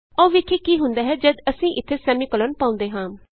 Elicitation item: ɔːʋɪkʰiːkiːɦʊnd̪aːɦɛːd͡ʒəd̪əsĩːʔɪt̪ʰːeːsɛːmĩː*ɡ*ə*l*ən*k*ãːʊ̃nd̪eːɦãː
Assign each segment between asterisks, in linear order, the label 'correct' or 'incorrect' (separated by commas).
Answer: incorrect, correct, incorrect